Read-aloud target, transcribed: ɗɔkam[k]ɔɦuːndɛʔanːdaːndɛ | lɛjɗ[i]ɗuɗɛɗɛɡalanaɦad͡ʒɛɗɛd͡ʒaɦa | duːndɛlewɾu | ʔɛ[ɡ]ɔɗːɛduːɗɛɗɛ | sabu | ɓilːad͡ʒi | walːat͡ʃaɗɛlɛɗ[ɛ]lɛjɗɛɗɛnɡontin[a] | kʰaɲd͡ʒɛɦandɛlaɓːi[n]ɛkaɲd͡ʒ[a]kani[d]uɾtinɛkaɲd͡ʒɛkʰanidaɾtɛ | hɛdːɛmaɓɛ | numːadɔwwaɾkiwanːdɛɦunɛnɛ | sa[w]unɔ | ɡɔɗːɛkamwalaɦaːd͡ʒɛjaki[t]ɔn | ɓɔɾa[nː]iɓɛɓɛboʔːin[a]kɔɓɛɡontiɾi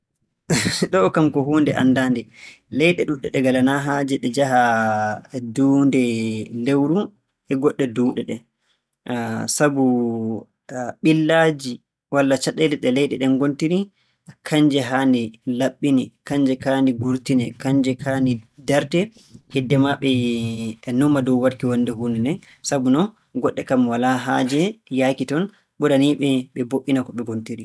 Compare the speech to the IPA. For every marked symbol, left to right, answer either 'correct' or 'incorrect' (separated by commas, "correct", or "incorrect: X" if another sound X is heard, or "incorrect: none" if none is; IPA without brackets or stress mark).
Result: correct, incorrect: ɛ, correct, correct, incorrect: i, correct, incorrect: ɛ, incorrect: ɡ, incorrect: b, correct, incorrect: n, correct